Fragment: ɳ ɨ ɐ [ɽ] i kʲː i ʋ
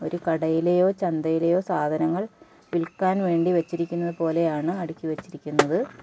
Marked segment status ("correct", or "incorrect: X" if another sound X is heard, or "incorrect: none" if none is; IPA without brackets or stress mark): correct